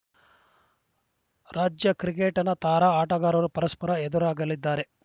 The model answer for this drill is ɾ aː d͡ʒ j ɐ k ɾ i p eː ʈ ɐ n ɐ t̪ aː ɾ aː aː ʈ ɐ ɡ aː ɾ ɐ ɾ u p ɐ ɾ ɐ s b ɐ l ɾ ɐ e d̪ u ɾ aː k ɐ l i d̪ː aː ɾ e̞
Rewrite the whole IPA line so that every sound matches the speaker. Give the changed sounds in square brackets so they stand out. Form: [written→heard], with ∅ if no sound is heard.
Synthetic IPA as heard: ɾ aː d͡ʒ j ɐ k ɾ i [p→k] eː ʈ ɐ n ɐ t̪ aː ɾ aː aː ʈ ɐ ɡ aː ɾ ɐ ɾ u p ɐ ɾ ɐ s [b→p] ɐ [l→∅] ɾ ɐ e d̪ u ɾ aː [k→ɡ] ɐ l i d̪ː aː ɾ e̞